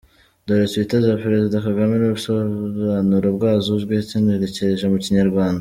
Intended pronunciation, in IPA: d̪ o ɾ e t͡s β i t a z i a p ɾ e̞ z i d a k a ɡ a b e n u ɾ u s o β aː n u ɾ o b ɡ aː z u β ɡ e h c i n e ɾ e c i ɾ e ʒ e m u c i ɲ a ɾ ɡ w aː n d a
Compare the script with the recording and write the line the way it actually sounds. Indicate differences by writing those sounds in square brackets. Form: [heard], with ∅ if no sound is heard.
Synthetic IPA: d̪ o ɾ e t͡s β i t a z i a p ɾ e̞ z i d a k a ɡ a [m] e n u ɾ u s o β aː n u ɾ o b ɡ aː z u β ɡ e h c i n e ɾ e c [e] ɾ e ʒ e m u c i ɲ a ɾ ɡ w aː n d a